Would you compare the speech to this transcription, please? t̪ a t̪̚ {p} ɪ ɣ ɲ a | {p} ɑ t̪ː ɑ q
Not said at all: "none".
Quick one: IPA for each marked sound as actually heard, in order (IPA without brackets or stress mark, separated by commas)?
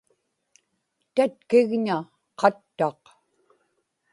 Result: k, q